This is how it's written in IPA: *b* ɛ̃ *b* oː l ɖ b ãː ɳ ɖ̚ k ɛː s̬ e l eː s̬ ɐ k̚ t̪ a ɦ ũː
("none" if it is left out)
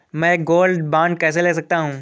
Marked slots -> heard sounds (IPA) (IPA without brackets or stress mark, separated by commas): m, ɡ